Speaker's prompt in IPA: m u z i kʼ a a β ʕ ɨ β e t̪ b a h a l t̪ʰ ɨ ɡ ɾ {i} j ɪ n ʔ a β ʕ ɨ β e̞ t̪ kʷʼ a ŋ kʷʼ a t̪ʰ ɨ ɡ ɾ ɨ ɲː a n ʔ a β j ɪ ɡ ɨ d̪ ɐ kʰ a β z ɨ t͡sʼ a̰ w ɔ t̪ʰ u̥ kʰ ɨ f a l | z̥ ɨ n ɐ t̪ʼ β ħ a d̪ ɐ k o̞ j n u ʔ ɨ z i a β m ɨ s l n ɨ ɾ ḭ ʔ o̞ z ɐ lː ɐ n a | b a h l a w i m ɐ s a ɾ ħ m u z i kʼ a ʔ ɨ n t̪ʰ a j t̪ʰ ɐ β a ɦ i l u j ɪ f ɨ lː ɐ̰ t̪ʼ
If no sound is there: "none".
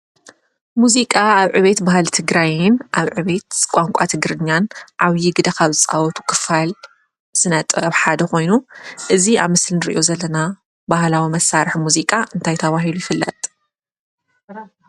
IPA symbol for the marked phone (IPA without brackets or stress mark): a